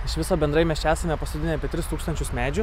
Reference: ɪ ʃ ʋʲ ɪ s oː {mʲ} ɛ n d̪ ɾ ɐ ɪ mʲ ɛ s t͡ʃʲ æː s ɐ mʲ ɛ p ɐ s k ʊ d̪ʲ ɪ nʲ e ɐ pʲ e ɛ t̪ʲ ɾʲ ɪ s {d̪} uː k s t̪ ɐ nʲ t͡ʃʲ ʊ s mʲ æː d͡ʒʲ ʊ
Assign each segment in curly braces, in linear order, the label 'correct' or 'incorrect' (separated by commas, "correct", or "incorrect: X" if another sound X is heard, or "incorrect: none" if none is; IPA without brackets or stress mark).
incorrect: bʲ, incorrect: t̪